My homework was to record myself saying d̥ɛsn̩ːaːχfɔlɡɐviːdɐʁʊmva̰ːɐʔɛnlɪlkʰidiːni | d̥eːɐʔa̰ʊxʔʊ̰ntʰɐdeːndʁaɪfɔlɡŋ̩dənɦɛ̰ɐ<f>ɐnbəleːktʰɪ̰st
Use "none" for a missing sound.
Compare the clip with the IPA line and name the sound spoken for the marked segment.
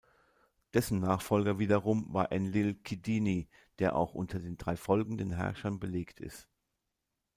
ʃ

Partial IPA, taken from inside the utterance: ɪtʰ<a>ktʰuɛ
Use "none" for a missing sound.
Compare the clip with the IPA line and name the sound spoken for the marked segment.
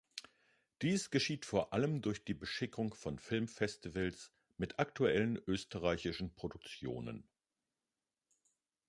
a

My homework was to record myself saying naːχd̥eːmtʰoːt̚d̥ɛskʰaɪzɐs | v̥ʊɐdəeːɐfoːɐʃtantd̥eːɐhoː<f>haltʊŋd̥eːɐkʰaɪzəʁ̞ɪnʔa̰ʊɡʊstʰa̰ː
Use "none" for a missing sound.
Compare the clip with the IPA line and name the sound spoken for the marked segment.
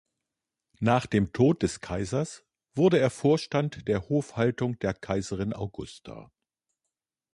f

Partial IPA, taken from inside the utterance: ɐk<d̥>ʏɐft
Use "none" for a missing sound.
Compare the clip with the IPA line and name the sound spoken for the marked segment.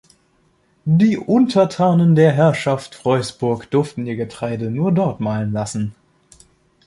d̥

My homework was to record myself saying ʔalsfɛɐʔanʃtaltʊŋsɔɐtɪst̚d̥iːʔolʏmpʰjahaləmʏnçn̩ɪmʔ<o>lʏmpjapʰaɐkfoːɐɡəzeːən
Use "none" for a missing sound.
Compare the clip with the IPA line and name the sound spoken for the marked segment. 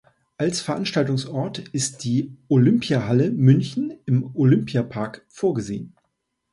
o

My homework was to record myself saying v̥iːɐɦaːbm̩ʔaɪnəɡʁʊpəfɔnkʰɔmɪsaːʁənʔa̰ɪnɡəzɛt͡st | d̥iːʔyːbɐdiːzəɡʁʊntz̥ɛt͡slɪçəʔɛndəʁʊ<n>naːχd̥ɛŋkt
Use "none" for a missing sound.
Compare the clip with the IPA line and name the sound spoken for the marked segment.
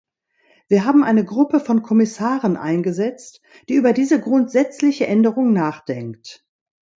ŋ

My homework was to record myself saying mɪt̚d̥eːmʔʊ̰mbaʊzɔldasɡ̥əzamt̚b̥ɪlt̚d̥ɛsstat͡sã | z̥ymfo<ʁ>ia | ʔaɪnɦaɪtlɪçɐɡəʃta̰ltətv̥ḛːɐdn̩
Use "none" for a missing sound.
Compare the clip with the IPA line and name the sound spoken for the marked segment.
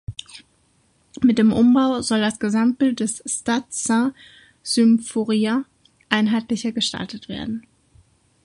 ʁ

